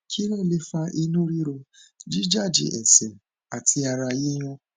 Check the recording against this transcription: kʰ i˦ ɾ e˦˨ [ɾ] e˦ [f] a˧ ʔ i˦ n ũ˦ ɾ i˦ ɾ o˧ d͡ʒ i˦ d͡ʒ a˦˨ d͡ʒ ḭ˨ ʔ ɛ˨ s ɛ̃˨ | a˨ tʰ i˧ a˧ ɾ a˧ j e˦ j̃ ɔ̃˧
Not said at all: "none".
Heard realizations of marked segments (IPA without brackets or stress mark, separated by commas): l, f